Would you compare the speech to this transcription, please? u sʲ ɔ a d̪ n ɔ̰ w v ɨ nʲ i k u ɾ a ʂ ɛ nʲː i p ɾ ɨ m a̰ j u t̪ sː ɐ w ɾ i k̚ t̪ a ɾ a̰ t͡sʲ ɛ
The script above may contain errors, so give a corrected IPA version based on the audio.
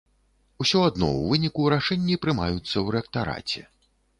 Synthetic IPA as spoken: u sʲ ɔ a d̪ n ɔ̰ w v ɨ nʲ i k u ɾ a ʂ ɛ nʲː i p ɾ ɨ m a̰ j u t̪ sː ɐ w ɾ ɛ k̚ t̪ a ɾ a̰ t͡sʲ ɛ